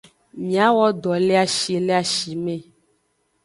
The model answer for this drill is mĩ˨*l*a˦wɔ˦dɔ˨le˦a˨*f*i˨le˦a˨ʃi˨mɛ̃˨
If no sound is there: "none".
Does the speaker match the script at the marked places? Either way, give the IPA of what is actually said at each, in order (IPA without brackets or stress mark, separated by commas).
none, ʃ